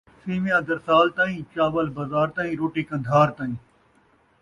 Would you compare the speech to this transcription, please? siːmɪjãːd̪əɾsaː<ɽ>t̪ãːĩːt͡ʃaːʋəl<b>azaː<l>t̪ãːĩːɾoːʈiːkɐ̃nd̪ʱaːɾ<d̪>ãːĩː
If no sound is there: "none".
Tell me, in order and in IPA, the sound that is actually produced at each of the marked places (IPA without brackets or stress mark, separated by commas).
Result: l, b, ɾ, t̪